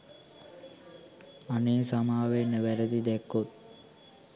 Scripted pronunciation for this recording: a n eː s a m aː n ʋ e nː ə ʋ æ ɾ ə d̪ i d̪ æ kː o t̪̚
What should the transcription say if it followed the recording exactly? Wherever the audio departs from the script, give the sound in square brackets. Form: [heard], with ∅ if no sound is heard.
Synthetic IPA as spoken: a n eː s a m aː [∅] ʋ e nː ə ʋ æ ɾ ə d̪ i d̪ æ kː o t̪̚